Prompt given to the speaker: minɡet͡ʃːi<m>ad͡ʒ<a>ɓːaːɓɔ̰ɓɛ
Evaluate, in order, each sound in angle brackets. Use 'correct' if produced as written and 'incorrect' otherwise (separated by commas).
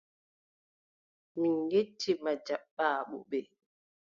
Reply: correct, correct